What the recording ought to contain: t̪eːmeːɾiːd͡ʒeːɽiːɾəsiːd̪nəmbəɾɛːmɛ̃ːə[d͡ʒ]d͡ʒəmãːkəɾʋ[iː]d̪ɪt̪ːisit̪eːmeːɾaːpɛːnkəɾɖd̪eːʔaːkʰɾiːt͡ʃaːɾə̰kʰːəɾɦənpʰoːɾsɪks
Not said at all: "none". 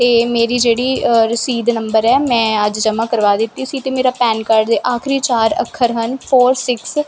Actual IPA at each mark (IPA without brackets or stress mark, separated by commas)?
d͡ʒ, aː